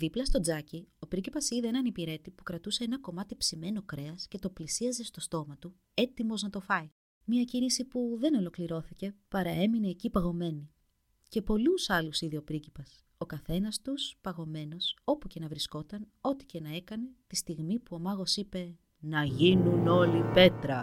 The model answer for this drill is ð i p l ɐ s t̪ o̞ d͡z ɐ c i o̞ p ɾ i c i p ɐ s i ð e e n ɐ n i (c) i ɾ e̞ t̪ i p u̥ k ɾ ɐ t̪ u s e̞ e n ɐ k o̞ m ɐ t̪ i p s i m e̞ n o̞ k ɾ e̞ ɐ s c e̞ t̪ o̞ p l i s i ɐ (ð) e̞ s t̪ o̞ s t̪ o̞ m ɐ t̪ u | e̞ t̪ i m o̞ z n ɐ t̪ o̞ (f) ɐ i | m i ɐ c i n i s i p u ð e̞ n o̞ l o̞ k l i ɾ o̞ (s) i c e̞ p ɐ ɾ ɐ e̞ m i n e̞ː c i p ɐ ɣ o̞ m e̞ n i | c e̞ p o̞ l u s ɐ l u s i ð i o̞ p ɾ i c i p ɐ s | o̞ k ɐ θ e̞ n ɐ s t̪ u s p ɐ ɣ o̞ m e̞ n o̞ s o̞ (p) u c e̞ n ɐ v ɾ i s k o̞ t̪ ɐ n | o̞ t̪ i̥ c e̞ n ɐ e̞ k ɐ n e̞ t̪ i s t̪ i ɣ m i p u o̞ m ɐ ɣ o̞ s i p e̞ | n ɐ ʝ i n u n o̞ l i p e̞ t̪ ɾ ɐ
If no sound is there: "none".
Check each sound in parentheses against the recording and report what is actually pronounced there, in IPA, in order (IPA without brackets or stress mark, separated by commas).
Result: p, z, f, θ, p